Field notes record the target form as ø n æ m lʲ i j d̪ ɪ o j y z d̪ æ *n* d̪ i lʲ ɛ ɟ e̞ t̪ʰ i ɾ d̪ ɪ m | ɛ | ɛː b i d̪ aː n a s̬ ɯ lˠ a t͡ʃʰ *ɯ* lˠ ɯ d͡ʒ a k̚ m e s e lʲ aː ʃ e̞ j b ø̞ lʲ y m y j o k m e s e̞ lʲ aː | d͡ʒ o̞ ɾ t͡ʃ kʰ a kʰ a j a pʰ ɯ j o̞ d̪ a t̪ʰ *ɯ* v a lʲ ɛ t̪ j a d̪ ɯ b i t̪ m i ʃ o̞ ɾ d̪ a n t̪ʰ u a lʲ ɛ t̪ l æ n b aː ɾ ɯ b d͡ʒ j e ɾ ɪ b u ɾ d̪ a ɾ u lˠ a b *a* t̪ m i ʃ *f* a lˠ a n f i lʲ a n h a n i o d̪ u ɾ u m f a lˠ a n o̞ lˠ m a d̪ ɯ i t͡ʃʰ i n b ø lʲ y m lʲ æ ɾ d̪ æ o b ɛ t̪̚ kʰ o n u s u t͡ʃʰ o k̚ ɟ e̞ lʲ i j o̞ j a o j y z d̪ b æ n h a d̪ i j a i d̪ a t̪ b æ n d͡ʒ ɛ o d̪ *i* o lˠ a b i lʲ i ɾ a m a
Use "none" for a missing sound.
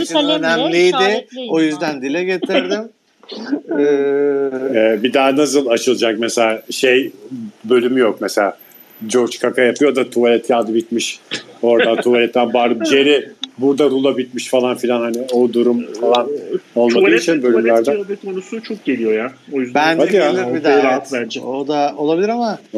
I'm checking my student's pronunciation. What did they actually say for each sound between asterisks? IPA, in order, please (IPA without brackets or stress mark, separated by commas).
n, ɯ, u, i, f, a